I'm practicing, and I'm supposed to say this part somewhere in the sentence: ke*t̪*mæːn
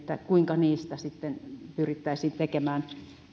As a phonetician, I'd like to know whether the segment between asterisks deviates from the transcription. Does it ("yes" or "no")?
yes